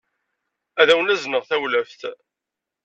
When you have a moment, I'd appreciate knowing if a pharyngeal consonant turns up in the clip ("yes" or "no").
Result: no